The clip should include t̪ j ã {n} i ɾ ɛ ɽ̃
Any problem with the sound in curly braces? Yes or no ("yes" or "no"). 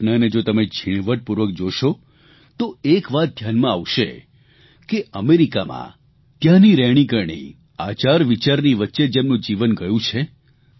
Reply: no